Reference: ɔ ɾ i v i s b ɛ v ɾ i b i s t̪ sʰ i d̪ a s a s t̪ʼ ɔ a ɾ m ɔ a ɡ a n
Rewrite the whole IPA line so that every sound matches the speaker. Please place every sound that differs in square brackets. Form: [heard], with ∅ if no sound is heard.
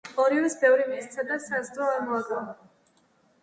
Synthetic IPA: ɔ ɾ i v i s b ɛ v ɾ i [m] i s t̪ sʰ [a] d̪ a s a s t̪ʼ ɔ a ɾ m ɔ a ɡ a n

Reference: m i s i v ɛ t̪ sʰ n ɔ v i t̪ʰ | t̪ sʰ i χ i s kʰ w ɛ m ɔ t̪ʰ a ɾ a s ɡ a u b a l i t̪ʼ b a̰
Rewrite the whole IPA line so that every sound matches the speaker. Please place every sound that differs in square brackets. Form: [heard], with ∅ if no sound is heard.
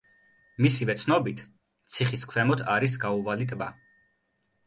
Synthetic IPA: m i s i v ɛ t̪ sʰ n ɔ [b] i t̪ʰ | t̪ sʰ i χ i s kʰ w ɛ m ɔ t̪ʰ a ɾ [i] s ɡ a u [v] a l i t̪ʼ b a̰

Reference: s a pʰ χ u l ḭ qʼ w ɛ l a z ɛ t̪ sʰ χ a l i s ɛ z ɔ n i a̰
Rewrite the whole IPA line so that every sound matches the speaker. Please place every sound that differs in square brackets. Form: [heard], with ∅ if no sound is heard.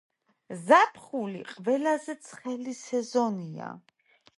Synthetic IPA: [z] a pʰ χ u l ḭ qʼ [v] ɛ l a z ɛ t̪ sʰ χ [ɛ] l i s ɛ z ɔ n i a̰

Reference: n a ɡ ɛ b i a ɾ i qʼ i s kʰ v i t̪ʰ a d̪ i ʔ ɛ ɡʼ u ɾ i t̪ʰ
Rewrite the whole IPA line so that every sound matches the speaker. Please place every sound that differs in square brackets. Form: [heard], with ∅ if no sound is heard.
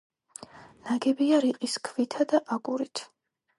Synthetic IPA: n a ɡ ɛ b i a ɾ i qʼ i s kʰ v i t̪ʰ a d̪ [a] ʔ [a] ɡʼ u ɾ i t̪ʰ

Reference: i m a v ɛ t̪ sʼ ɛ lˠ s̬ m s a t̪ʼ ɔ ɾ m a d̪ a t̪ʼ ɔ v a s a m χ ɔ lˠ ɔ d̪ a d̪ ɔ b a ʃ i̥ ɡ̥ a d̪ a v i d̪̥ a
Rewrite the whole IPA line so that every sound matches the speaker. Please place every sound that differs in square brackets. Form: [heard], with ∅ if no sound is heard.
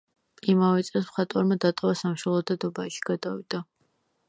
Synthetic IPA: i m a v ɛ t̪ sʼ ɛ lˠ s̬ m [χ] a t̪ʼ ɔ ɾ m a d̪ a t̪ʼ ɔ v a s a m [ʃ] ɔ lˠ ɔ d̪ a d̪ ɔ b a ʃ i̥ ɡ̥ a d̪ a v i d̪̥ a

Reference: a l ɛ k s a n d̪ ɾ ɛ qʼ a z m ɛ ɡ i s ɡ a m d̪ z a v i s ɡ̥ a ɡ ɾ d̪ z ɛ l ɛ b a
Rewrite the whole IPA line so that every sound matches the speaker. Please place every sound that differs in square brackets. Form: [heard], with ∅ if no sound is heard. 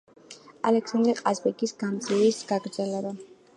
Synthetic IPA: a l ɛ k s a n d̪ ɾ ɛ qʼ a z [b] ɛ ɡ i s ɡ a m d̪ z [i] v i s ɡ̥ a ɡ ɾ d̪ z ɛ l ɛ b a

